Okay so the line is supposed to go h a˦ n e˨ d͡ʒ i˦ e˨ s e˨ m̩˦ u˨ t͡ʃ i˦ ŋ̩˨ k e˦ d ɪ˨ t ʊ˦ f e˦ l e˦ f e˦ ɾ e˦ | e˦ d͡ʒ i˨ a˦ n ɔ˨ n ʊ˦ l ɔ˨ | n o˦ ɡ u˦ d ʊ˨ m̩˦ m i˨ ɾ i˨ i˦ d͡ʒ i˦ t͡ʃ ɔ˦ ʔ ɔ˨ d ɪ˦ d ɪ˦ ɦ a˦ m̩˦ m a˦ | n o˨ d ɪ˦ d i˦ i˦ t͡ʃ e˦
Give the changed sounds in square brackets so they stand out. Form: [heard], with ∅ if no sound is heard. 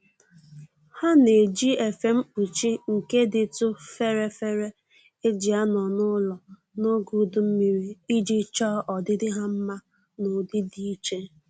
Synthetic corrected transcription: h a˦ n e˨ d͡ʒ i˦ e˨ [f] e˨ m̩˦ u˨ t͡ʃ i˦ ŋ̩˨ k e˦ d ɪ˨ t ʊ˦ f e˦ [ɾ] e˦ f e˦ ɾ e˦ | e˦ d͡ʒ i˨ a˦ n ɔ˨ n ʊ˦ l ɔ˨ | n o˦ ɡ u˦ d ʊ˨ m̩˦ m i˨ ɾ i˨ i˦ d͡ʒ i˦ t͡ʃ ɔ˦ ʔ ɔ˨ d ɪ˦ d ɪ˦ ɦ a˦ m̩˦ m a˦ | n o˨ d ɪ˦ d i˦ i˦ t͡ʃ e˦